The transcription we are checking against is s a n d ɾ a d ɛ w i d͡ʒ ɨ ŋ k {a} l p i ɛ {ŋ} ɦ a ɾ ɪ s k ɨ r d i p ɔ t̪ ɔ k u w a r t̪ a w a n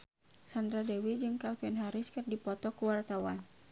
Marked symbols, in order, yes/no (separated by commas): yes, no